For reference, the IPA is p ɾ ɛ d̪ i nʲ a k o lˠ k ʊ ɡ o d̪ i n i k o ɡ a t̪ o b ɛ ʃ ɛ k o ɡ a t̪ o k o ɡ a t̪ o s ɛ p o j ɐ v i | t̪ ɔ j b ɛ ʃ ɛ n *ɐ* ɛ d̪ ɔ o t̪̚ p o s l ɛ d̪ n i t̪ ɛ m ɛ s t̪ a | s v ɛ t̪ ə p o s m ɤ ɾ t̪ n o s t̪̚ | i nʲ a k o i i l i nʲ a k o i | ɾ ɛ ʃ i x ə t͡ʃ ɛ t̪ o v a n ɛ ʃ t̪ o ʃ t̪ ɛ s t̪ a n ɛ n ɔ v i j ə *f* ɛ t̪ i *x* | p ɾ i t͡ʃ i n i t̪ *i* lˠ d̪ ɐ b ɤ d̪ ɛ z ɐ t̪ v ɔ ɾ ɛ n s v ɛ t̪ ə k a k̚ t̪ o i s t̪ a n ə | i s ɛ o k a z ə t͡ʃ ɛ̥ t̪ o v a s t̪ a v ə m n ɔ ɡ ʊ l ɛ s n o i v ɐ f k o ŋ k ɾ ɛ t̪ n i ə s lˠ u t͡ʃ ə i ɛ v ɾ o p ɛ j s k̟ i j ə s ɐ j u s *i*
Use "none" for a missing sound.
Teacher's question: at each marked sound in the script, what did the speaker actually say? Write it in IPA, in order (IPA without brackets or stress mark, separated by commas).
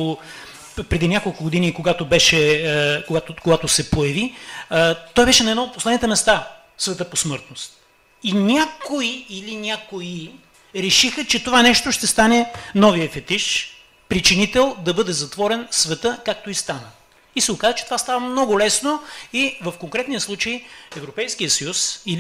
ɐ, f, ʃ, ɛ, i